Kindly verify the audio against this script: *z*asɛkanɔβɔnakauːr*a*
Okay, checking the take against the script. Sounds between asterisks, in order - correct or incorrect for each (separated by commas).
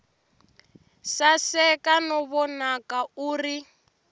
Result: incorrect, incorrect